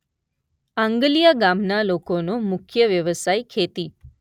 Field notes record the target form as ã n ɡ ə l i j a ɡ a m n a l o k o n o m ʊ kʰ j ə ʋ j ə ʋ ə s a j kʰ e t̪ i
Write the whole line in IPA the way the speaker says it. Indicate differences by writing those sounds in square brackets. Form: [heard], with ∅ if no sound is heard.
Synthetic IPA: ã [ŋ] ɡ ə l i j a ɡ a m n a l o k o n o m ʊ kʰ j ə ʋ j ə ʋ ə s a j kʰ e t̪ i

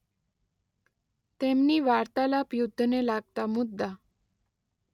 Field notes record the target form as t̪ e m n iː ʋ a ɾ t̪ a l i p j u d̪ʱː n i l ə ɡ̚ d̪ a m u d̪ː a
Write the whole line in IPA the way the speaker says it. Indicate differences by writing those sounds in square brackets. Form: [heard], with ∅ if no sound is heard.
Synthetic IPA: t̪ e m n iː ʋ a ɾ t̪ a l [a] p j u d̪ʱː n [e] l [a] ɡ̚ [t̪] a m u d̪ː a

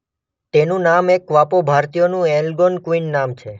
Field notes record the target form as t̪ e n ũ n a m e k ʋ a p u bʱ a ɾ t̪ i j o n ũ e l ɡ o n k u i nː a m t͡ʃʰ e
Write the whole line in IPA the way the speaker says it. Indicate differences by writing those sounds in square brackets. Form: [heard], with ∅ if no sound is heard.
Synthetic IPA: t̪ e n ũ n a m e k ʋ a p [o] bʱ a ɾ t̪ i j o n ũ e l ɡ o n k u i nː a m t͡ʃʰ e

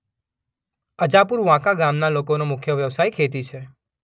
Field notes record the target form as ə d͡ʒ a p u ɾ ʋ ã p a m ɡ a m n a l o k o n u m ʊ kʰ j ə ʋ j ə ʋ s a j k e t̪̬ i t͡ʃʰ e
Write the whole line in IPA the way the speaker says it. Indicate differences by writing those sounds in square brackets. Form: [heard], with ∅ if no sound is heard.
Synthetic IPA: ə d͡ʒ a p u ɾ ʋ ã [k] a [∅] ɡ a m n a l o k o n [o] m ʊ kʰ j ə ʋ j ə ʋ s a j [kʰ] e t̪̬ i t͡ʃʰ e

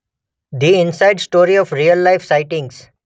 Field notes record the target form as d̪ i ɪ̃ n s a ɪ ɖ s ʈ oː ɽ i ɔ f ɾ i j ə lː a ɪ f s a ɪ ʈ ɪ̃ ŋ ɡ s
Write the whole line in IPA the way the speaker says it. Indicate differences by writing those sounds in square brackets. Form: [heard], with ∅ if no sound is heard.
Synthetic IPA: d̪ i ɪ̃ n s a ɪ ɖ s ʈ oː [ɾ] i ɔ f ɾ i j ə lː a ɪ f s a ɪ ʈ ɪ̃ ŋ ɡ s

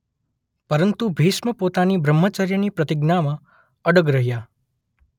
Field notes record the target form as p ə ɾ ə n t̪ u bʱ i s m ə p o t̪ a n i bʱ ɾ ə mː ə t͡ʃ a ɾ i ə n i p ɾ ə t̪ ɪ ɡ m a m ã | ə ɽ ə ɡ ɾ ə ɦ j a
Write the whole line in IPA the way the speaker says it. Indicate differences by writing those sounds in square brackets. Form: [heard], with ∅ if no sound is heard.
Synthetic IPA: p ə ɾ ə n t̪ u bʱ i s m ə p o t̪ a n i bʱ ɾ ə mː ə t͡ʃ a ɾ [j] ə n i p ɾ ə t̪ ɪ ɡ [n] a m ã | ə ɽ ə ɡ ɾ ə ɦ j a

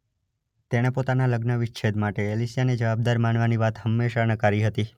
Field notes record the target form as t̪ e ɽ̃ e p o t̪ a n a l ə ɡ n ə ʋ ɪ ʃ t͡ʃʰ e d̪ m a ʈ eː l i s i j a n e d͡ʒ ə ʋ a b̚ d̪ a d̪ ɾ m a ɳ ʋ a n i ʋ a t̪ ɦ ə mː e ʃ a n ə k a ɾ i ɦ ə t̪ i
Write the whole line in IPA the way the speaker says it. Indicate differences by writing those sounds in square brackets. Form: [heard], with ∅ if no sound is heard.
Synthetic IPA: t̪ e ɽ̃ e p o t̪ a n a l ə ɡ n ə ʋ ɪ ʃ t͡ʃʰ e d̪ m a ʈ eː l i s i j a n e d͡ʒ ə ʋ a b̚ d̪ a [∅] ɾ m a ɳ ʋ a n i ʋ a t̪ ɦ ə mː e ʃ a n ə k a ɾ i ɦ ə t̪ i

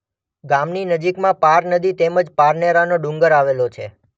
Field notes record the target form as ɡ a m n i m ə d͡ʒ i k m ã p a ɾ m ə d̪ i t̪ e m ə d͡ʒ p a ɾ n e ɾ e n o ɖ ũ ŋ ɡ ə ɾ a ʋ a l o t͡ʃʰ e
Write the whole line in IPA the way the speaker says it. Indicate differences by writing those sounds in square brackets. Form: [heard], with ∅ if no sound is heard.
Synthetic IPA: ɡ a m n i [n] ə d͡ʒ i k m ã p a ɾ [n] ə d̪ i t̪ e m ə d͡ʒ p a ɾ n e ɾ [a] n o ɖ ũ ŋ ɡ ə ɾ a ʋ [e] l o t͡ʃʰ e

